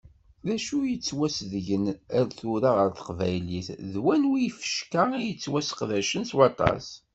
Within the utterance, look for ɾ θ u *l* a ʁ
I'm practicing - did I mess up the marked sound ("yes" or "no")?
yes